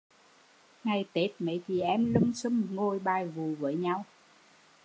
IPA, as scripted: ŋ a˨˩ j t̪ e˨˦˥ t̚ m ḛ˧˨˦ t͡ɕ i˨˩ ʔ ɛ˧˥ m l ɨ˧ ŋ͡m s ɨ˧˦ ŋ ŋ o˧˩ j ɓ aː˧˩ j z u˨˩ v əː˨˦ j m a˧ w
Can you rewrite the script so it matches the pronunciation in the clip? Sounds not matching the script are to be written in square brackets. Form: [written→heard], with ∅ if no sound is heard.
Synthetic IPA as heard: ŋ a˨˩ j t̪ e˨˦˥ t̚ m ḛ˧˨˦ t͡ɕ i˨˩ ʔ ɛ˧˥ m l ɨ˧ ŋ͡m s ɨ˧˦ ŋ ŋ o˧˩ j ɓ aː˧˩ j [z→v] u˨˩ v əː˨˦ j [m→ɲ] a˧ w